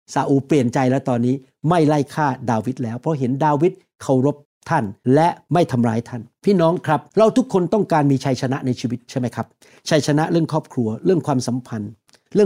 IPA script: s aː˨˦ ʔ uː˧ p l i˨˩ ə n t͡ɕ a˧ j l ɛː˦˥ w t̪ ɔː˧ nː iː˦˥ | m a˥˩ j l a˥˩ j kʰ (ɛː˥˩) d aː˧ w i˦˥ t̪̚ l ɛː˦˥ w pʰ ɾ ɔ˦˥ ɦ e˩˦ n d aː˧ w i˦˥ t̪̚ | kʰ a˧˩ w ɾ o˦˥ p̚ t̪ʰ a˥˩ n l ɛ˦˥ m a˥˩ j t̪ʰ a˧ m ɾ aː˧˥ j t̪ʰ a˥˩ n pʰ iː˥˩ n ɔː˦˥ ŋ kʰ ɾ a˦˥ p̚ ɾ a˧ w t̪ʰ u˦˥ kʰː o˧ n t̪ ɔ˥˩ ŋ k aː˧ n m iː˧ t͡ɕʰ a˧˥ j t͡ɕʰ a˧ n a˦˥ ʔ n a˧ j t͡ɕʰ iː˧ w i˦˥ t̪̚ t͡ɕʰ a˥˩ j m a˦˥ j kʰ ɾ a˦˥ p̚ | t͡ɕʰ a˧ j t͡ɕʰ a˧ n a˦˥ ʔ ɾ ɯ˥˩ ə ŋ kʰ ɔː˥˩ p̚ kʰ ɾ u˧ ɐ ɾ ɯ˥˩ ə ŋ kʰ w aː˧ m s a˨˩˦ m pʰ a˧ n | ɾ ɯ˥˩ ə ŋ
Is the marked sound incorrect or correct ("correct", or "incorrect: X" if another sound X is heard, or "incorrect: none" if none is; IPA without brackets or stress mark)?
incorrect: aː˥˩